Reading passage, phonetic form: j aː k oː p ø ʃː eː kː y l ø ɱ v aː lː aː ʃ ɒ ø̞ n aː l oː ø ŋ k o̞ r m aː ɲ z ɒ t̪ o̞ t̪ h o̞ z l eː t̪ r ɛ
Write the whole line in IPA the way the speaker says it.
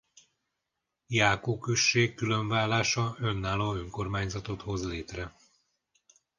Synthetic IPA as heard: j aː k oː k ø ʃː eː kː y l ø ɱ v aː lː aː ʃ ɒ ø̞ nː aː l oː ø ŋ k o̞ r m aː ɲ z ɒ t̪ o̞ t̪ h o̞ z l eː t̪ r ɛ